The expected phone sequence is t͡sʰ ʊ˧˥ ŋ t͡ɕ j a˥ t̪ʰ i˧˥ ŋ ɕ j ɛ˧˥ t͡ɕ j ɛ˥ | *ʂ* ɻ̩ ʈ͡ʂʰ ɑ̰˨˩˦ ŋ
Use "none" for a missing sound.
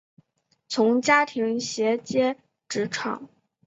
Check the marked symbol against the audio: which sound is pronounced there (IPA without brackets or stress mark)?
ʈ͡ʂ